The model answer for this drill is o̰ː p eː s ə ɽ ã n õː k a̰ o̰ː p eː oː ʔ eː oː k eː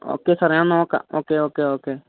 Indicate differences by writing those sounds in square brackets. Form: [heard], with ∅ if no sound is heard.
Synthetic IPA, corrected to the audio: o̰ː [k] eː s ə [ɾ] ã n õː k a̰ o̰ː [k] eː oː [k] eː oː k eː

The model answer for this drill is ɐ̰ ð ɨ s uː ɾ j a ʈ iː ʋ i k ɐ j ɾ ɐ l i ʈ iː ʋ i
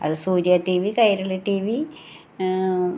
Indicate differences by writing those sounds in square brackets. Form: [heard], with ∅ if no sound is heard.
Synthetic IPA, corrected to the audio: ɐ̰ ð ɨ s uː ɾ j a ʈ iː ʋ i k ɐ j ɾ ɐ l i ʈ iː ʋ i

